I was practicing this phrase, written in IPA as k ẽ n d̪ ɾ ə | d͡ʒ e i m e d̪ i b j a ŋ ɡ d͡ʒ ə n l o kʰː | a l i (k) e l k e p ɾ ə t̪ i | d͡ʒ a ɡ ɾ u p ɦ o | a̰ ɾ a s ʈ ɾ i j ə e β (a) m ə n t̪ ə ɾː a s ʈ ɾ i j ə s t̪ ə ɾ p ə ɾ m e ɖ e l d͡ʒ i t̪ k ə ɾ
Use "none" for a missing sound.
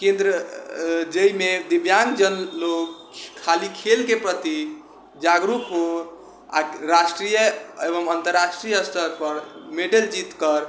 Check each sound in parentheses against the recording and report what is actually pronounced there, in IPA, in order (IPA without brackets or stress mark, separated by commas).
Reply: kʰ, ə